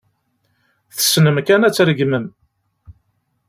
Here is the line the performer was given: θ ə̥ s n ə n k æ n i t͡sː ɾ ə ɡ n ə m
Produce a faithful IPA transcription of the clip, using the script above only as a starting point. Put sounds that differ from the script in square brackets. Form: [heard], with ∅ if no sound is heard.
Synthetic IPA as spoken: θ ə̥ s n ə [m] k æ n [æ] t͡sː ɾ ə ɡ [m] ə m